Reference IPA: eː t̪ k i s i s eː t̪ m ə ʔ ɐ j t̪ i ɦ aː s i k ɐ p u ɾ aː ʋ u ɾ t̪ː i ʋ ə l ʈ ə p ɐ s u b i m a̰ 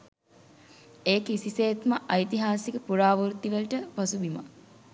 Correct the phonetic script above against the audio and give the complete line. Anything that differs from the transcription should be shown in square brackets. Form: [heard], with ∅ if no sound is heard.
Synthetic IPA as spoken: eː [∅] k i s i s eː t̪ m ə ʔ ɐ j t̪ i ɦ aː s i k [ə] p u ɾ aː ʋ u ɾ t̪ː i ʋ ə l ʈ ə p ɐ s u b i m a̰